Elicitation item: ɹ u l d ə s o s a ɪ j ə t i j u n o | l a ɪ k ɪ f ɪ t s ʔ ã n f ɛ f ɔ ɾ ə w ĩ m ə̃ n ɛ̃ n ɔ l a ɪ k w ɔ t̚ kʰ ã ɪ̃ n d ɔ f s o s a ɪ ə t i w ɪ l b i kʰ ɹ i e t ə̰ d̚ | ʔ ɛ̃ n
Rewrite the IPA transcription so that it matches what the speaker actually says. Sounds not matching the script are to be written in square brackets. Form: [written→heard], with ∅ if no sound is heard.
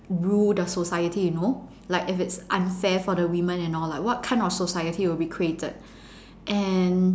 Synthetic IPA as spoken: ɹ u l d ə s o s a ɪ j ə t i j u n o | l a ɪ k ɪ f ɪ t s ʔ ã n f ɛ f ɔ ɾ ə w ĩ m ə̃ n ɛ̃ n ɔ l a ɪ k w ɔ t̚ kʰ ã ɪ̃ n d ɔ f s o s a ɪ ə t i w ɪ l b i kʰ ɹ i e t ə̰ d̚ | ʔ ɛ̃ n